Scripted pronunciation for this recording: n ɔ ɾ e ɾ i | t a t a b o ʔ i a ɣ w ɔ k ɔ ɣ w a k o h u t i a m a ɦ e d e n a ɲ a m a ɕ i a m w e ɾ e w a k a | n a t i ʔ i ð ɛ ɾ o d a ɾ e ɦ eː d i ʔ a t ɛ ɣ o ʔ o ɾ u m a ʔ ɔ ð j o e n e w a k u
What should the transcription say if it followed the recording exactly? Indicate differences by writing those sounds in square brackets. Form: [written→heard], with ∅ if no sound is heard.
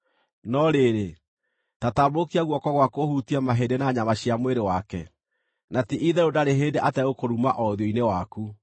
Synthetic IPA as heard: n ɔ ɾ e ɾ [i→e] | t a t a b o [ʔ→k] i a ɣ w ɔ k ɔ ɣ w a k o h u t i a m a ɦ e d e n a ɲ a m a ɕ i a m w e ɾ e w a k [a→ɛ] | n a t i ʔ i ð ɛ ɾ o d a ɾ e ɦ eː d [i→e] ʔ a t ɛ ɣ o [ʔ→k] o ɾ u m a ʔ ɔ ð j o [e→i] n e w a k u